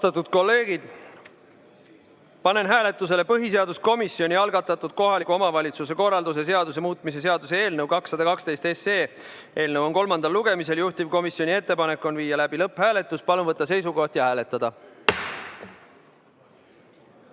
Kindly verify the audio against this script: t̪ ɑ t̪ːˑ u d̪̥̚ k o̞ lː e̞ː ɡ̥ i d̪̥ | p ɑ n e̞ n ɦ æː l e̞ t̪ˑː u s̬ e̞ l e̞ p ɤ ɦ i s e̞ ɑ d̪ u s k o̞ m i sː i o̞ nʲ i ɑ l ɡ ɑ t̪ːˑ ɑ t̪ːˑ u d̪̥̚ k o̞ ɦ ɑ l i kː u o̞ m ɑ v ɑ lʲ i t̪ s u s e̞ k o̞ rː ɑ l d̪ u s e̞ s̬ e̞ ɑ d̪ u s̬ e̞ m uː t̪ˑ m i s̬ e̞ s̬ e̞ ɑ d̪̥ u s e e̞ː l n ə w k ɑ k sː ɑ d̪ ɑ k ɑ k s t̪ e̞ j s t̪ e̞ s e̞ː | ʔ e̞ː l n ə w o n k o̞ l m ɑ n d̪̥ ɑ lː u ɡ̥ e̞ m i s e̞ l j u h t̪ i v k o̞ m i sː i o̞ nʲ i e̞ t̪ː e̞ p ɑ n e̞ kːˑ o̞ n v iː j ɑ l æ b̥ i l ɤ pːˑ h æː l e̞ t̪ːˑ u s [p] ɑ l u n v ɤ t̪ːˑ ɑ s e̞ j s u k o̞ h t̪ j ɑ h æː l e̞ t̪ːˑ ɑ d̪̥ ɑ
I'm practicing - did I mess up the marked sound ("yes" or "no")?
no